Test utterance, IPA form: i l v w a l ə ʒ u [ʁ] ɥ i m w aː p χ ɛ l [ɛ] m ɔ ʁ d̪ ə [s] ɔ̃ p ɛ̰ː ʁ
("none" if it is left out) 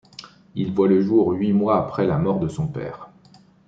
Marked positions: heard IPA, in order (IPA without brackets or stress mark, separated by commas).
ʁ, a, s